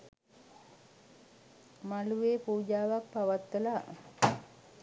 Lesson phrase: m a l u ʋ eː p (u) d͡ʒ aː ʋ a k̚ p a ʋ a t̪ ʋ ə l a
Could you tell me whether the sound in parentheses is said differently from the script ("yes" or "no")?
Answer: yes